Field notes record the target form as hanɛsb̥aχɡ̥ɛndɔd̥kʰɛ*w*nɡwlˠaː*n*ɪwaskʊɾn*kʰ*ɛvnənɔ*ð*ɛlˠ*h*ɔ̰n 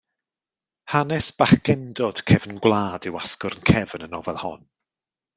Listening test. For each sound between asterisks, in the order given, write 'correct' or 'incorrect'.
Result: incorrect: v, incorrect: d, correct, incorrect: v, correct

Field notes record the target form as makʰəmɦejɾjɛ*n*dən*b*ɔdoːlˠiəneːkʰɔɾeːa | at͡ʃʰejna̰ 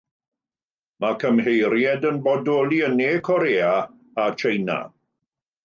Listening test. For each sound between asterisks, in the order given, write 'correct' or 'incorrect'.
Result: incorrect: none, correct

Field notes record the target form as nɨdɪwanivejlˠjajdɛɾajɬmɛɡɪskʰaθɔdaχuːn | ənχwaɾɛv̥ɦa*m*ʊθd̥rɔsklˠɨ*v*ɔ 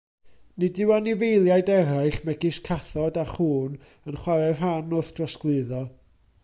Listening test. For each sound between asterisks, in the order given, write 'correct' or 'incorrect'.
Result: incorrect: n, incorrect: ð

